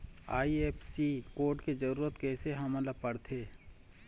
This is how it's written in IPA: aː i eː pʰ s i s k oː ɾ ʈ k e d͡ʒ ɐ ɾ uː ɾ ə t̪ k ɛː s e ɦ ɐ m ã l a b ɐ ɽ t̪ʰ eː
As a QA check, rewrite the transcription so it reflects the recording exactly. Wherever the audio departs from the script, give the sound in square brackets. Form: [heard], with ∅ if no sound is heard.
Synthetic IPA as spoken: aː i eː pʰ s i [∅] k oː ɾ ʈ k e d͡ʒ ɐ ɾ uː ɾ ə t̪ k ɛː s e ɦ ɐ m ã l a [p] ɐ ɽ t̪ʰ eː